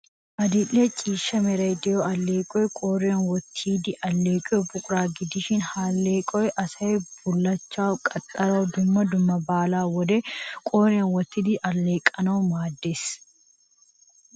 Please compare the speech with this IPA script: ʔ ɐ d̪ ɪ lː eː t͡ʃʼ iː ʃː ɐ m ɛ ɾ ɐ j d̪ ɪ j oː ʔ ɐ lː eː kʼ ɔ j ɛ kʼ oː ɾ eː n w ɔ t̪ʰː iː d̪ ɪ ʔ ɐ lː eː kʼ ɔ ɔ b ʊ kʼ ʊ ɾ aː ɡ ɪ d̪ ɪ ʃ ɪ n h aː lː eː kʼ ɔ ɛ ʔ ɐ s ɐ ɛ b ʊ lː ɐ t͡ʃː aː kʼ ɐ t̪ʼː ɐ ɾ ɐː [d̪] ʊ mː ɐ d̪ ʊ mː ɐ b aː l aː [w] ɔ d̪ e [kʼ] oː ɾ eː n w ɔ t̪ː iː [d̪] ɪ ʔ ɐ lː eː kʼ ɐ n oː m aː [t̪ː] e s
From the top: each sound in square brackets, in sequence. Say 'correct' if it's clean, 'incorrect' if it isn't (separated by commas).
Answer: correct, correct, correct, correct, incorrect